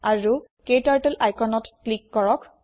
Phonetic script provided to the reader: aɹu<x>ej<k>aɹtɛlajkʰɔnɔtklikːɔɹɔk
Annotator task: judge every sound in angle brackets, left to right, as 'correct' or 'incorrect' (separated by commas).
incorrect, incorrect